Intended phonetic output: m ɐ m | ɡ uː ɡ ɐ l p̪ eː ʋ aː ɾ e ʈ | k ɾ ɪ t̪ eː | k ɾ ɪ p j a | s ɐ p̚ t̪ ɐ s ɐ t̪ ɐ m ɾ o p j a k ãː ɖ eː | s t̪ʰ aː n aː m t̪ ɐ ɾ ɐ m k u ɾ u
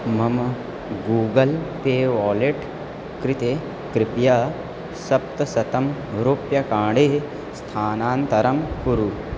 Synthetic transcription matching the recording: m ɐ m | ɡ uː ɡ ɐ l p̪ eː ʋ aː l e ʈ | k ɾ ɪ t̪ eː | k ɾ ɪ p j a | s ɐ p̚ t̪ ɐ s ɐ t̪ ɐ m ɾ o p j ɐ k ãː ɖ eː | s t̪ʰ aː n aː n t̪ ɐ ɾ ɐ m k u ɾ u

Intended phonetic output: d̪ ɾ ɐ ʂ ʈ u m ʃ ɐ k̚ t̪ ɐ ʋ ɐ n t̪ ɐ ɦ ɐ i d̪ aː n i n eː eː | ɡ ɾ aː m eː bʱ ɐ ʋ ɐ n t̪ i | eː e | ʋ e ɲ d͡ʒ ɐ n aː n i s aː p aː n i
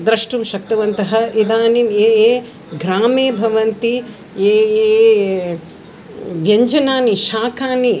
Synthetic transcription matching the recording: d̪ ɾ ɐ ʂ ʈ u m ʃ ɐ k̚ t̪ ɐ ʋ ɐ n t̪ ɐ ɦ ɐ i d̪ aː n i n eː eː | ɡ ɾ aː m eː bʱ ɐ ʋ ɐ n t̪ i | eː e | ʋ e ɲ d͡ʒ ɐ n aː n i ʃ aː k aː n i

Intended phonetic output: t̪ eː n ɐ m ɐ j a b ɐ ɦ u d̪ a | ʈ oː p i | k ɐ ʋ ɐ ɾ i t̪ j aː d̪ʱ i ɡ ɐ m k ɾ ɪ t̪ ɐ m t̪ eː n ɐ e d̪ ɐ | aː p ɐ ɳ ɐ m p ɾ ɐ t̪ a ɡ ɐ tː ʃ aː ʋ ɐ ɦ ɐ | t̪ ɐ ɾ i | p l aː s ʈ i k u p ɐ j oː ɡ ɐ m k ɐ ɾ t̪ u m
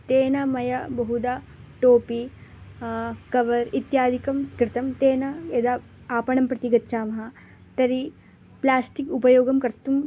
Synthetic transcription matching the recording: t̪ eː n ɐ m ɐ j ɐ b ɐ ɦ u d̪ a | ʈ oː p i | k ɐ ʋ ɐ ɾ i t̪ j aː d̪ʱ i k ɐ m k ɾ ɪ t̪ ɐ m t̪ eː n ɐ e d̪ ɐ | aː p ɐ ɳ ɐ m p ɾ ɐ t̪ i ɡ ɐ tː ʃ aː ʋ ɐ ɦ ɐ | t̪ ɐ ɾ i | p l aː s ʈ i k u p ɐ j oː ɡ ɐ m k ɐ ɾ t̪ u m

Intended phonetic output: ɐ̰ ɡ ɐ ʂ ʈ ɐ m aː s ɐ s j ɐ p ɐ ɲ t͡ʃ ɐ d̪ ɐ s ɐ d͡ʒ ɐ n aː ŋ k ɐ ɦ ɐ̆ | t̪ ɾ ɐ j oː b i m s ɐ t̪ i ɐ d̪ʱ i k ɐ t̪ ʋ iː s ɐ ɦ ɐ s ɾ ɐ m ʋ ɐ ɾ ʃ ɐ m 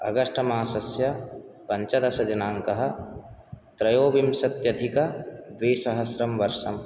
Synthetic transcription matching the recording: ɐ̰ ɡ ɐ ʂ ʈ ɐ m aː s ɐ s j ɐ p ɐ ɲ t͡ʃ ɐ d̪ ɐ s ɐ d͡ʒ ɐ n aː ŋ k ɐ ɦ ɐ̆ | t̪ ɾ ɐ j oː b i m s ɐ t̪ j ɐ d̪ʱ i k ɐ d̪ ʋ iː s ɐ ɦ ɐ s ɾ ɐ m ʋ ɐ ɾ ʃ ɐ m

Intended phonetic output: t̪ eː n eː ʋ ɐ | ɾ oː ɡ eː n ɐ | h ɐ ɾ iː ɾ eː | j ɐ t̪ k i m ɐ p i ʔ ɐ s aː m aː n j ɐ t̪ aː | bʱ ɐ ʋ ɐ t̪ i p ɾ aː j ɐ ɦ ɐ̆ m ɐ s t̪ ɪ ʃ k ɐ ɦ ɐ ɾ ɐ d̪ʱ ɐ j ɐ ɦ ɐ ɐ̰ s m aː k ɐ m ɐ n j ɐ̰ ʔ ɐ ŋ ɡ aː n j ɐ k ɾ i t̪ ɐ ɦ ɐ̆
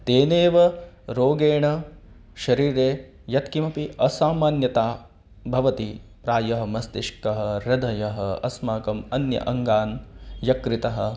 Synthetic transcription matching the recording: t̪ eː n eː ʋ ɐ | ɾ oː ɡ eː ɳ ɐ | ʃ ɐ ɾ iː ɾ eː | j ɐ t̪ k i m ɐ p i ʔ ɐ s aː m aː n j ɐ t̪ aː | bʱ ɐ ʋ ɐ t̪ i p ɾ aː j ɐ ɦ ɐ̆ m ɐ s t̪ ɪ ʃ k ɐ ɦ ɐ ɾ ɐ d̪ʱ ɐ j ɐ ɦ ɐ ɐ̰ s m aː k ɐ m ɐ n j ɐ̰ ʔ ɐ ŋ ɡ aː n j ɐ k ɾ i t̪ ɐ ɦ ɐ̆

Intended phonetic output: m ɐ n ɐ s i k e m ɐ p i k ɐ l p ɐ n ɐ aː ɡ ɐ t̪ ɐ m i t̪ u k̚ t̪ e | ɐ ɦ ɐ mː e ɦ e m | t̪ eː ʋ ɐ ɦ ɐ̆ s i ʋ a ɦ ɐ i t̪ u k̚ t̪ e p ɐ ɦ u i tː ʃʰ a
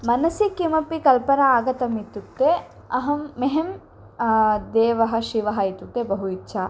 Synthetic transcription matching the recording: m ɐ n ɐ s i k i m ɐ p i k ɐ l p ɐ n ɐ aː ɡ ɐ t̪ ɐ m i t̪ u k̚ t̪ e | ɐ ɦ ɐ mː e ɦ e m | d̪ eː ʋ ɐ ɦ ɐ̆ ʃ i ʋ ɐ ɦ ɐ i t̪ u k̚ t̪ e b ɐ ɦ u i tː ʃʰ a

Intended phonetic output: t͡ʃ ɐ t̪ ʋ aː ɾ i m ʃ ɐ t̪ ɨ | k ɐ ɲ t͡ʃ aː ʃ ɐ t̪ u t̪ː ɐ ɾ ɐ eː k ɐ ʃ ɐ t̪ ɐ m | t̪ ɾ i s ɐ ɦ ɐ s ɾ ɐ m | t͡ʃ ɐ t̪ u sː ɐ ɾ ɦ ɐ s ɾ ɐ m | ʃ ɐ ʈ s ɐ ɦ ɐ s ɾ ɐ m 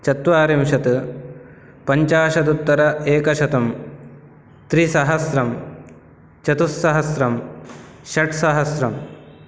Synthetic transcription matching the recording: t͡ʃ ɐ t̪ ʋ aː ɾ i m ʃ ɐ t̪ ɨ | p ɐ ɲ t͡ʃ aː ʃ ɐ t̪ u t̪ː ɐ ɾ ɐ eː k ɐ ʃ ɐ t̪ ɐ m | t̪ ɾ i s ɐ ɦ ɐ s ɾ ɐ m | t͡ʃ ɐ t̪ u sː ɐ ɦ ɐ s ɾ ɐ m | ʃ ɐ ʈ s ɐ ɦ ɐ s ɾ ɐ m

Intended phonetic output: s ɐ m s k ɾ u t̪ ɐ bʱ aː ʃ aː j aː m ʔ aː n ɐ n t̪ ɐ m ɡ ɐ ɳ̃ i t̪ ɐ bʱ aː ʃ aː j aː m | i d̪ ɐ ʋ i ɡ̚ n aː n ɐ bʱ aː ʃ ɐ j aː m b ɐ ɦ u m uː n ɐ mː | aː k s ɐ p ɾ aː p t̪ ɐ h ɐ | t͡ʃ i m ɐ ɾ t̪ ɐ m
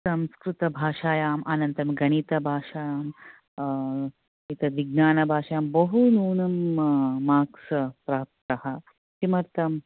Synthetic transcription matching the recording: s ɐ m s k ɾ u t̪ ɐ bʱ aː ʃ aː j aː m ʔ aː n ɐ n t̪ ɐ m ɡ ɐ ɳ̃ i t̪ ɐ bʱ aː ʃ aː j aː m | i t̪ ɐ ʋ i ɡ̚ n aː n ɐ bʱ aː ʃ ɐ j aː m b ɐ ɦ u n uː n ɐ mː | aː k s ɐ p ɾ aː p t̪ ɐ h ɐ | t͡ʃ i m ɐ ɾ t̪ ɐ m

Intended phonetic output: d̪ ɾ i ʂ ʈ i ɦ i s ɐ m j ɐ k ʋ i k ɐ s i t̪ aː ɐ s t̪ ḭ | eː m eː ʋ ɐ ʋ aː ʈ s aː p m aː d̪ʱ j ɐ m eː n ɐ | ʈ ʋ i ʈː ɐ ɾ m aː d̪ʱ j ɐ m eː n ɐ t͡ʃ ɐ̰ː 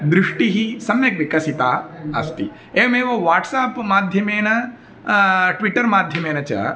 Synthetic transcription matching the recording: d̪ ɾ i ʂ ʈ i ɦ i s ɐ m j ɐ k ʋ i k ɐ s i t̪ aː ɐ s t̪ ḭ | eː m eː ʋ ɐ ʋ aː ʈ s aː p m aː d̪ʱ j ɐ m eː n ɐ | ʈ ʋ i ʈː ɐ ɾ m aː d̪ʱ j ɐ m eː n ɐ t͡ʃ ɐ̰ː

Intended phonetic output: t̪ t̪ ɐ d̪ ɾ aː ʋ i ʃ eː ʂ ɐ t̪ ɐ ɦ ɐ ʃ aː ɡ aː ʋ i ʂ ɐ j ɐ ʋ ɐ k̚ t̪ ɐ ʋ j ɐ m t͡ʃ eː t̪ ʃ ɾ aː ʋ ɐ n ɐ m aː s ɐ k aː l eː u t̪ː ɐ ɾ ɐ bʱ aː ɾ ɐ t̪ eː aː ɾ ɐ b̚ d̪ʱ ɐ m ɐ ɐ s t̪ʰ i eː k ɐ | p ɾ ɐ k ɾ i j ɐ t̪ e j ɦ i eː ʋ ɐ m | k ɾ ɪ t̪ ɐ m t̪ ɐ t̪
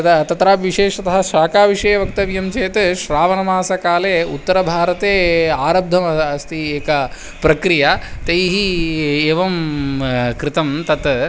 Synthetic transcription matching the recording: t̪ t̪ ɐ t̪ ɾ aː ʋ i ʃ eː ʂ ɐ t̪ ɐ ɦ ɐ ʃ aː k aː ʋ i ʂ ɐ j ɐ ʋ ɐ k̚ t̪ ɐ ʋ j ɐ m t͡ʃ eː t̪ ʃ ɾ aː ʋ ɐ n ɐ m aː s ɐ k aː l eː u t̪ː ɐ ɾ ɐ bʱ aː ɾ ɐ t̪ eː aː ɾ ɐ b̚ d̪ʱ ɐ m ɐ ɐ s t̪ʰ i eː k ɐ | p ɾ ɐ k ɾ i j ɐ t̪ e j ɦ i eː ʋ ɐ m | k ɾ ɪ t̪ ɐ m t̪ ɐ t̪

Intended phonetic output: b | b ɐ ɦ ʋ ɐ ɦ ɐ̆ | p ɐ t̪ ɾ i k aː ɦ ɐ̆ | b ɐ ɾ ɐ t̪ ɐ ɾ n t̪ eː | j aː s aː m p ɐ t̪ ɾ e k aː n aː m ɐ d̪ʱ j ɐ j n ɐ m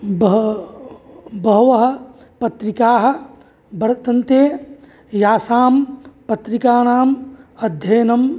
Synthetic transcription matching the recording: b | b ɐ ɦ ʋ ɐ ɦ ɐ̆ | p ɐ t̪ ɾ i k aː ɦ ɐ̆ | b ɐ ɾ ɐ t̪ ɐ n t̪ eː | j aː s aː m p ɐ t̪ ɾ i k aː n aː m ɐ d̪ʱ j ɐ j n ɐ m

